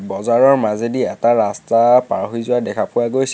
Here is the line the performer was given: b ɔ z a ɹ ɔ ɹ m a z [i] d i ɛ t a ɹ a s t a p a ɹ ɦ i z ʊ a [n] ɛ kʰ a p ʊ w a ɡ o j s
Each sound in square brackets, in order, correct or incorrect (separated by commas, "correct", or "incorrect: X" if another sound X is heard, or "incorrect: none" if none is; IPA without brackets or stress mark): incorrect: e, incorrect: d